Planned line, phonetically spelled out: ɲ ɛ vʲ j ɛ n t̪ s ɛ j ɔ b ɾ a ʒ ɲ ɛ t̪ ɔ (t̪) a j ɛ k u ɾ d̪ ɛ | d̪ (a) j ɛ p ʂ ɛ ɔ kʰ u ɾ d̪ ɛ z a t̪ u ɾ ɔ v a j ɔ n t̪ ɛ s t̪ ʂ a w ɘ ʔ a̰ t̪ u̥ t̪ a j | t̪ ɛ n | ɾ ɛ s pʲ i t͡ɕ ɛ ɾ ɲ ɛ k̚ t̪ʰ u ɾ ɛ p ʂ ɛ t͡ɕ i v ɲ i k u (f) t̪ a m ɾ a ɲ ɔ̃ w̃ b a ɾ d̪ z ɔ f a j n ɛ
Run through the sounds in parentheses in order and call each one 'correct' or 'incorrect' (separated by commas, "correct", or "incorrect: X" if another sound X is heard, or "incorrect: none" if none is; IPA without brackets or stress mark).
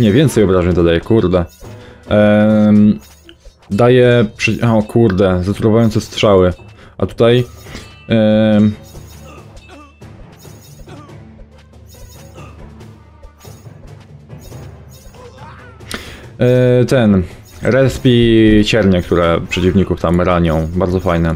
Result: incorrect: d̪, correct, correct